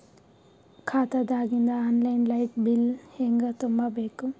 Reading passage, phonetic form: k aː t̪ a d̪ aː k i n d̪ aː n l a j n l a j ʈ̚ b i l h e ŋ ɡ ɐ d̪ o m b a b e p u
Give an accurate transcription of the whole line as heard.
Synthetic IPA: kʰ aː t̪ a d̪ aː ɡ i n d̪ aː n l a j n l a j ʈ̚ b i l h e ŋ ɡ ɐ t̪ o m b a b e k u